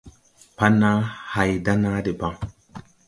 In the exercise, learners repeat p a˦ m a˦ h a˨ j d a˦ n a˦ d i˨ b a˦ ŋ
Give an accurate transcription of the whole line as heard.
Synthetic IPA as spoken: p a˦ n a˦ h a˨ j d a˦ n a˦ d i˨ b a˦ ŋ